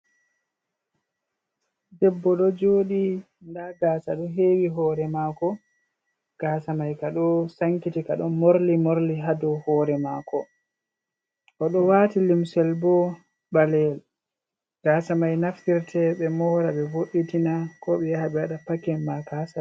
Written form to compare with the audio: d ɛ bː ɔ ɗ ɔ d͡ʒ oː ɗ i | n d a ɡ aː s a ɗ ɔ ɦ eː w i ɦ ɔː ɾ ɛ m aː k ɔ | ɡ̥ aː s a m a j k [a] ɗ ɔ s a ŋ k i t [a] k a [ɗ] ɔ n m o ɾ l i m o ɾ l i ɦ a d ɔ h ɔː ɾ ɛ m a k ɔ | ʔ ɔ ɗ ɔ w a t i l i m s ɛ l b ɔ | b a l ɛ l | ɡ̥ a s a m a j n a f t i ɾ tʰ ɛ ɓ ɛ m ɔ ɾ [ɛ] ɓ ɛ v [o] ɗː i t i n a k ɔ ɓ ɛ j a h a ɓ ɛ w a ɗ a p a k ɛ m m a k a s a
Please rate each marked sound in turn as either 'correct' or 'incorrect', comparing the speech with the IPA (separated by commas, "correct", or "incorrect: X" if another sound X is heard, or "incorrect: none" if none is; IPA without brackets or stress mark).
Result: correct, incorrect: i, correct, incorrect: a, correct